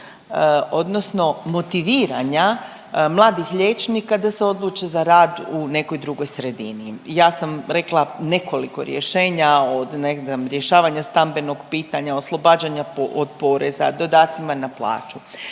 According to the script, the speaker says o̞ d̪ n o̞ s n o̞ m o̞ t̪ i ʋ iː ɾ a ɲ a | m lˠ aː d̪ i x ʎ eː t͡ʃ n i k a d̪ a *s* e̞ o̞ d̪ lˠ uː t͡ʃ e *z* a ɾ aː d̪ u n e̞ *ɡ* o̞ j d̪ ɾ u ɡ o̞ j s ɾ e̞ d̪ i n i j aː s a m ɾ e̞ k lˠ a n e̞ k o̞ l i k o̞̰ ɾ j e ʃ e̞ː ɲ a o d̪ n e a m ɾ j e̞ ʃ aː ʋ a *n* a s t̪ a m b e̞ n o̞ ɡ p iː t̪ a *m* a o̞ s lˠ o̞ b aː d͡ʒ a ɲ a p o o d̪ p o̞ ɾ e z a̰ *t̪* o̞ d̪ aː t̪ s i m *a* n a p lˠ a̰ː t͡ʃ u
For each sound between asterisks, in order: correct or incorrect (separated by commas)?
correct, correct, incorrect, incorrect, incorrect, incorrect, correct